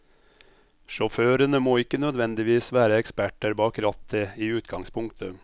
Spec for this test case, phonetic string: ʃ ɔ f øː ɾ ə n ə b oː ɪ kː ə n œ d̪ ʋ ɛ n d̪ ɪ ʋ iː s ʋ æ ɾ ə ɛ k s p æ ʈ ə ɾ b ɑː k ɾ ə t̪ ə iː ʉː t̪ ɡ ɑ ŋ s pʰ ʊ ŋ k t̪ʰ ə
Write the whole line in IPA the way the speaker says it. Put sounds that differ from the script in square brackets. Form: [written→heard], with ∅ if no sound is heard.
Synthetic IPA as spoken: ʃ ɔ f øː ɾ ə n ə [b→m] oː ɪ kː ə n œ d̪ ʋ ɛ n d̪ ɪ ʋ iː s ʋ [æ→æː] ɾ ə ɛ k s p æ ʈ ə ɾ b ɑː k ɾ [ə→ɑ] t̪ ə iː ʉː t̪ ɡ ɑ ŋ s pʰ ʊ ŋ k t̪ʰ ə